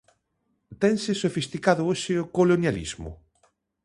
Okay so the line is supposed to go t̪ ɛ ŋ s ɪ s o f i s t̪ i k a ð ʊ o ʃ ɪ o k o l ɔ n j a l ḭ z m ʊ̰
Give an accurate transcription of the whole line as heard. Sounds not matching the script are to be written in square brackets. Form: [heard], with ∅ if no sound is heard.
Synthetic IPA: t̪ ɛ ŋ s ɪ s o f i s t̪ i k a ð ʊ o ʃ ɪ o k o l [o] n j a l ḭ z m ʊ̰